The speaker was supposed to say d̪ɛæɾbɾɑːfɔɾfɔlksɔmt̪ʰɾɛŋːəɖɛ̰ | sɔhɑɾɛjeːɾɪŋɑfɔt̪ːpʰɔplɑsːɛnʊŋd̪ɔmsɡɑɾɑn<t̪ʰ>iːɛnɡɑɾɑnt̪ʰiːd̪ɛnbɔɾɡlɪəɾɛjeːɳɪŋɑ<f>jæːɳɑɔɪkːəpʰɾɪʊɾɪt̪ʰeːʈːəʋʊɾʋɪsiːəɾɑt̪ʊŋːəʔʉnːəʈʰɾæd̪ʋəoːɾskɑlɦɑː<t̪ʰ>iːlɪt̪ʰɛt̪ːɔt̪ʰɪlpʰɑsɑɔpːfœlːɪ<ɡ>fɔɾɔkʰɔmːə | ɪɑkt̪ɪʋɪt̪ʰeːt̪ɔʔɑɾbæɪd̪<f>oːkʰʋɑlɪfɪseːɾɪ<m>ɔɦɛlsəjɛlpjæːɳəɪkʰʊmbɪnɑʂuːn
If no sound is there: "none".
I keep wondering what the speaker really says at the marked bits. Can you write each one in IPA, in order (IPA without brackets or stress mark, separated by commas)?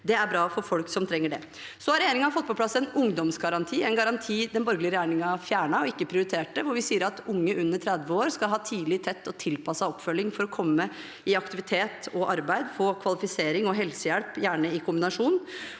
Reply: t̪ʰ, f, t̪ʰ, ŋ, f, ŋ